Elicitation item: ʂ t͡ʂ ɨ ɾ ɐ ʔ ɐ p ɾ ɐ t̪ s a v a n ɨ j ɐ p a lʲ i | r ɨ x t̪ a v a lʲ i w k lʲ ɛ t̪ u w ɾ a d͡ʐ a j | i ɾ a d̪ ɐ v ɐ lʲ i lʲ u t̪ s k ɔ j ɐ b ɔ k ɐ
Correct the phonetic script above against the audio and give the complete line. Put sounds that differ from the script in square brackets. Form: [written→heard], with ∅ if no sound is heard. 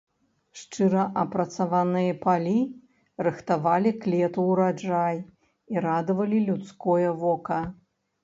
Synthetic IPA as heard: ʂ t͡ʂ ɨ ɾ ɐ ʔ ɐ p ɾ ɐ t̪ s a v a n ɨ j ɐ p a lʲ i | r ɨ x t̪ a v a lʲ i [w→∅] k lʲ ɛ t̪ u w ɾ a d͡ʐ a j | i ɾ a d̪ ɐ v ɐ lʲ i lʲ u t̪ s k ɔ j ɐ [b→v] ɔ k ɐ